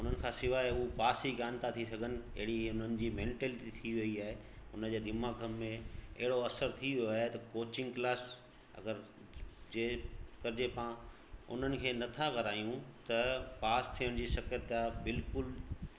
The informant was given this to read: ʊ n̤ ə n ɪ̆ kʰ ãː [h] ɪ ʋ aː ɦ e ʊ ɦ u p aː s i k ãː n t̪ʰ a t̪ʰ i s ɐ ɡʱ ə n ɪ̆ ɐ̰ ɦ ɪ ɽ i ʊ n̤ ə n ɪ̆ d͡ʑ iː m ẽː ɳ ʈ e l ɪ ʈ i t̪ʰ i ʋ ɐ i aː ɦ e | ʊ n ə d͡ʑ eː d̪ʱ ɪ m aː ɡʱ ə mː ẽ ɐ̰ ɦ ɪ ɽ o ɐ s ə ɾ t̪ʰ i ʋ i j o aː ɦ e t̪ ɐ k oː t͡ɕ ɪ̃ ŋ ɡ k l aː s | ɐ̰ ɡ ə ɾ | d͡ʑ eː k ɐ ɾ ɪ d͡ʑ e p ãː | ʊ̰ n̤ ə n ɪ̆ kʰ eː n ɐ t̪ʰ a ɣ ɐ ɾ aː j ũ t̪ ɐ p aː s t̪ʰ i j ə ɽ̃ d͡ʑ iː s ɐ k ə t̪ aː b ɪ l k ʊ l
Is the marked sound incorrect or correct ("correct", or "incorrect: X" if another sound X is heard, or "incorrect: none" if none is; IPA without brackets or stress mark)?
incorrect: s